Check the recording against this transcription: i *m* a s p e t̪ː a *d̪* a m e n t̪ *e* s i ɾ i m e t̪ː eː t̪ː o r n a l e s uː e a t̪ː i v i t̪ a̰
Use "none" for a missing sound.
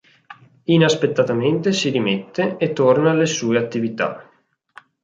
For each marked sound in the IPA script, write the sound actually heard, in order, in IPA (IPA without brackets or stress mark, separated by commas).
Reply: n, t̪, e